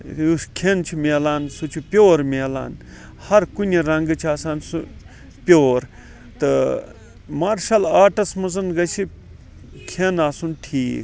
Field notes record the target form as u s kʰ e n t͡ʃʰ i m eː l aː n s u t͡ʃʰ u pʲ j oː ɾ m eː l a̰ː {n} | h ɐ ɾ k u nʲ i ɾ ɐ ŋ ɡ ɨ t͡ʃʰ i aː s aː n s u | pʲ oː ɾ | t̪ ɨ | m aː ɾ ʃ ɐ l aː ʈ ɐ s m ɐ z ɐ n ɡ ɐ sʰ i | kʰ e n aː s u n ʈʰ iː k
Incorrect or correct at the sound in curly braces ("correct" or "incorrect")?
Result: correct